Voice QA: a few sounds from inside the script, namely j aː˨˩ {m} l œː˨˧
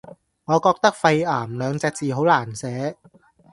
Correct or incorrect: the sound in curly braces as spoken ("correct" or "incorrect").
correct